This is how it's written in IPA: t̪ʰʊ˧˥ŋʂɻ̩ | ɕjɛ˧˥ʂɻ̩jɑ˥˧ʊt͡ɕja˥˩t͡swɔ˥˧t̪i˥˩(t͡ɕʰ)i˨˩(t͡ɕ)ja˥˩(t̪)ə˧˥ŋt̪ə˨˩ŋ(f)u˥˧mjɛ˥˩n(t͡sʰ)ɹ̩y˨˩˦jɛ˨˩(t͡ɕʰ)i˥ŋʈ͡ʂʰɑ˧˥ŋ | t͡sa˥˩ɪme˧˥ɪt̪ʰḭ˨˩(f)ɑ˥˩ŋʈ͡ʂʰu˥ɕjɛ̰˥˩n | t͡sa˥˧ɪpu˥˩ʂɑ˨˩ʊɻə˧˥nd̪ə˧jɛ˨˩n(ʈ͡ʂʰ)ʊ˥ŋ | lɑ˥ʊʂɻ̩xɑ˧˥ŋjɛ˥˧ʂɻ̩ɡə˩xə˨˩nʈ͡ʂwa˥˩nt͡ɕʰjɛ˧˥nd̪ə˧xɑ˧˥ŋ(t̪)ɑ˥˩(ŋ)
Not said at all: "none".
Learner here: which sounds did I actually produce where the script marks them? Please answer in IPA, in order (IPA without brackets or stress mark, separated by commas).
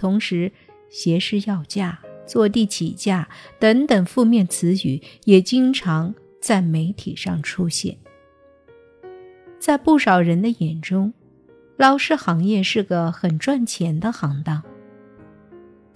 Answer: t͡ɕʰ, t͡ɕ, t̪, f, t͡sʰ, t͡ɕ, ʂ, ʈ͡ʂ, t̪, ŋ